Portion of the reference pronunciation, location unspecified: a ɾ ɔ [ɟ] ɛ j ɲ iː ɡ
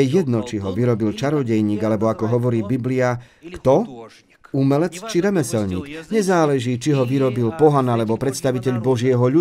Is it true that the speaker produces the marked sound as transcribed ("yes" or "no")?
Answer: yes